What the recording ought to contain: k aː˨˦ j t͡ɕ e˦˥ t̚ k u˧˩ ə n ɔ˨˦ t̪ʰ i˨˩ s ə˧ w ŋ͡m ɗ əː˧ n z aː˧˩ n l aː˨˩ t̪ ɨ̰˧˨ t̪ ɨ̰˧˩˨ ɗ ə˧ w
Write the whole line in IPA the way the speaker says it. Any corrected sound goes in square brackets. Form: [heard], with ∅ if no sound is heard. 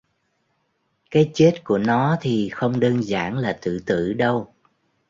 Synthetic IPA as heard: k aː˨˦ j t͡ɕ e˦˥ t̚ k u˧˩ ə n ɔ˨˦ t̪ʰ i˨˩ [x] ə˧ w ŋ͡m ɗ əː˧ n z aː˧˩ n l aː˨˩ t̪ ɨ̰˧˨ t̪ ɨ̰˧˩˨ ɗ ə˧ w